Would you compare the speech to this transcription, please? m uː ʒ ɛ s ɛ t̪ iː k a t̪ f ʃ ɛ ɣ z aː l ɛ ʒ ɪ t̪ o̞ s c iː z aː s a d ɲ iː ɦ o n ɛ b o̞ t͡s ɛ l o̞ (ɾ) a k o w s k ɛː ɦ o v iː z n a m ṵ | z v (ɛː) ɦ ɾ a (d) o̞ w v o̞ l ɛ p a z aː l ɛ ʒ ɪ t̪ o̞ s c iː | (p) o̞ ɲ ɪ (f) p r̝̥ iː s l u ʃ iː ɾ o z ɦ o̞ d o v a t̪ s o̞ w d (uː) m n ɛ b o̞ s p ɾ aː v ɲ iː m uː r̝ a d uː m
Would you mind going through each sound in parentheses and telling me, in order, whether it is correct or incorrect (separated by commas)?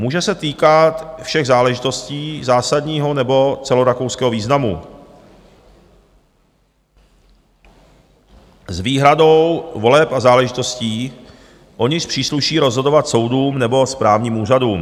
correct, incorrect, correct, incorrect, incorrect, correct